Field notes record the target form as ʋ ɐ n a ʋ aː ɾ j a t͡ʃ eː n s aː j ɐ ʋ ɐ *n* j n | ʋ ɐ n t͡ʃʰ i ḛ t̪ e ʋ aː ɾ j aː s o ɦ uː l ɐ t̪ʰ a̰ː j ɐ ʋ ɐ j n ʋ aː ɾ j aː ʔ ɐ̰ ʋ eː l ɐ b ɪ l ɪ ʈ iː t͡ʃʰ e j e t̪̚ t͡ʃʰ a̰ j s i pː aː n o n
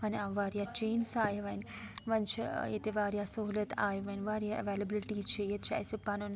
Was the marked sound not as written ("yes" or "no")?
yes